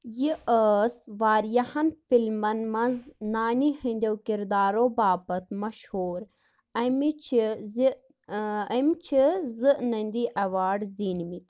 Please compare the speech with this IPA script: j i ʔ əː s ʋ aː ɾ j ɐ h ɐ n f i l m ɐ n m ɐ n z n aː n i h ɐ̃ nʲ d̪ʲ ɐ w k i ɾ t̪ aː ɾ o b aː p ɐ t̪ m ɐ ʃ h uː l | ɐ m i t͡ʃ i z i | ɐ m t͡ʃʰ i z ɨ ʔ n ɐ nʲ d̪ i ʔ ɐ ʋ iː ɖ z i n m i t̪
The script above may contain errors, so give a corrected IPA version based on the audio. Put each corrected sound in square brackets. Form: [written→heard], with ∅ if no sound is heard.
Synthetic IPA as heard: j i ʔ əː s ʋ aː ɾ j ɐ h ɐ n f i l m ɐ n m ɐ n z n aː n i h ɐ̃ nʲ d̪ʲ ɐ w k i ɾ [t̪→d̪] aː ɾ o b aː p ɐ t̪ m ɐ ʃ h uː [l→ɾ] | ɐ m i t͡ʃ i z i | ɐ m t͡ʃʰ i z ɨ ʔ n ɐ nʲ d̪ i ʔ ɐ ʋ [iː→aː] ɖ z i n m i t̪